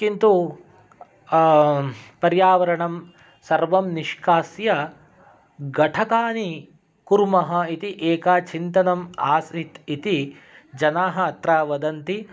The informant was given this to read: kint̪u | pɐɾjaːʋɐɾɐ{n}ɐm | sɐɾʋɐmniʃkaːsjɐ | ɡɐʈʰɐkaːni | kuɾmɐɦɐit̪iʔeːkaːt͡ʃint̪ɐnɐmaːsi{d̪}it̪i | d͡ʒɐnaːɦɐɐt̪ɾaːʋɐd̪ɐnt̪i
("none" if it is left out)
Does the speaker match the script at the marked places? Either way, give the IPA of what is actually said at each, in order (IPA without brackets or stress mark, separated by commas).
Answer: ɳ, t̪